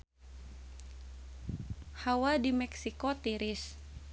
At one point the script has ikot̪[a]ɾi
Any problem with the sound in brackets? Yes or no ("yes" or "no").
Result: yes